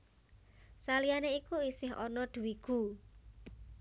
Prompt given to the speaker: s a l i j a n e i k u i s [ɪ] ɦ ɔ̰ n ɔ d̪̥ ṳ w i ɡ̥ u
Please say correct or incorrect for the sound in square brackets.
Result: correct